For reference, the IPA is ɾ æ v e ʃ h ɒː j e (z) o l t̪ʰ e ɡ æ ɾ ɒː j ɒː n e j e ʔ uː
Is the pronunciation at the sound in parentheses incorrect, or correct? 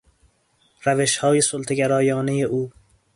incorrect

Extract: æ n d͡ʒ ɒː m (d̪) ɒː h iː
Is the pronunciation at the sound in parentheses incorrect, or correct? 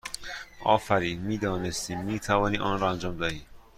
correct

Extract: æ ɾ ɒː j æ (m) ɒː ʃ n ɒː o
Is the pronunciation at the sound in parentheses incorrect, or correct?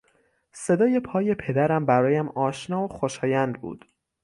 correct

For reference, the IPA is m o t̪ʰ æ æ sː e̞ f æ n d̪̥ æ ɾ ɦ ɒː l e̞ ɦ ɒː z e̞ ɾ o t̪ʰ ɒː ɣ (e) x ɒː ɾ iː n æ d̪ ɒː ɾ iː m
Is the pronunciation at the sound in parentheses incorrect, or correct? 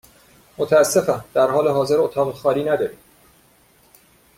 correct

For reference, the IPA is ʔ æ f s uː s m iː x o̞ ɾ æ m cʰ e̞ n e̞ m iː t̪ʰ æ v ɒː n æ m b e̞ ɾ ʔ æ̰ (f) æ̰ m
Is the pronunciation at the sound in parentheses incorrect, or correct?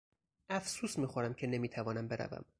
incorrect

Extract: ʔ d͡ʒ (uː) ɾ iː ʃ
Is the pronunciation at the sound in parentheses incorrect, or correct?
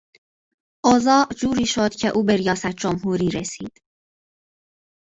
correct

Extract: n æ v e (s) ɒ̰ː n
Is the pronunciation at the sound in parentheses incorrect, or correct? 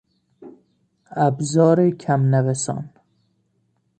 correct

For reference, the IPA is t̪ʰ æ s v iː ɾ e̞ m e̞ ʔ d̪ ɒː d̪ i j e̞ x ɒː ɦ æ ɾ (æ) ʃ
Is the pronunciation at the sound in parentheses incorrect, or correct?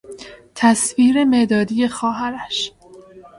correct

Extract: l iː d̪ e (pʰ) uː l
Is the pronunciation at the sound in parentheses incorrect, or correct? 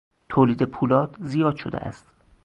correct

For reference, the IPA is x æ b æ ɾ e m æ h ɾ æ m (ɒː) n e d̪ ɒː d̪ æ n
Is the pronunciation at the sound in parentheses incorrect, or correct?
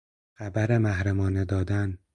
correct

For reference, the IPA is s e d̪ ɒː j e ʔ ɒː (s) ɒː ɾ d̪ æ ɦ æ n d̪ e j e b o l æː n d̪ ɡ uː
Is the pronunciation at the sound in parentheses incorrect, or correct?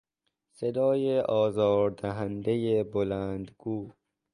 incorrect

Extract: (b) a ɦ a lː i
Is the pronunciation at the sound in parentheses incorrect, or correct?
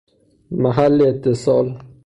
incorrect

